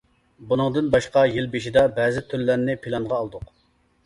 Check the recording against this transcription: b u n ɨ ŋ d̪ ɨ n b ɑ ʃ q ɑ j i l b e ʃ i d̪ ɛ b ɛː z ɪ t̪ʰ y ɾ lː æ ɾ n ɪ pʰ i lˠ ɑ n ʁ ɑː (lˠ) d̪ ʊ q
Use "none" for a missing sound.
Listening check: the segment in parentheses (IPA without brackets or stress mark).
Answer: lˠ